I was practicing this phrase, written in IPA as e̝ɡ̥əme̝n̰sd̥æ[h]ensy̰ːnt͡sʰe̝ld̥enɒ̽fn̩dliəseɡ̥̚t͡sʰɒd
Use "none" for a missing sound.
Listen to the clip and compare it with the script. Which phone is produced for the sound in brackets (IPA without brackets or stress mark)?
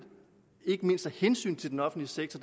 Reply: h